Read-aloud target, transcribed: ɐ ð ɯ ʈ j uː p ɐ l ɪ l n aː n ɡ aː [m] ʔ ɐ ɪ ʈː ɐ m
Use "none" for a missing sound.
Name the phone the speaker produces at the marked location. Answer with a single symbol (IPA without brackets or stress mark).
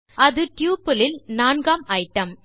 m